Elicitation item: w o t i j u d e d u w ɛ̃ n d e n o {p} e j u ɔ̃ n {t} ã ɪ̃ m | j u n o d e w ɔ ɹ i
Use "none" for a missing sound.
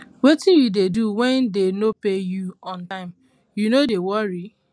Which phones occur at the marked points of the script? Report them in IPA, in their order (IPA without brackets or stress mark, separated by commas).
p, t